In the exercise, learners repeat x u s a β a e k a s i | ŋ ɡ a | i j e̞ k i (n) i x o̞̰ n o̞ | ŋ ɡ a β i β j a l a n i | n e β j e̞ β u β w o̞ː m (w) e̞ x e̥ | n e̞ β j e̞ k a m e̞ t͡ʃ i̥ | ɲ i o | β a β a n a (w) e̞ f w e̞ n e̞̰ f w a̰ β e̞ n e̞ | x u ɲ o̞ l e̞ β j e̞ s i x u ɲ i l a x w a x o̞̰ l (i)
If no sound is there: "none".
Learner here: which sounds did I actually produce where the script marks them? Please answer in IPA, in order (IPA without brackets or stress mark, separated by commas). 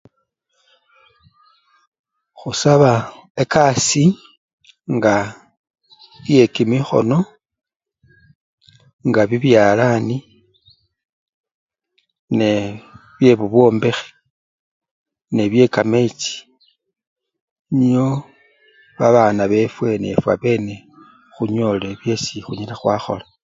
m, b, β, a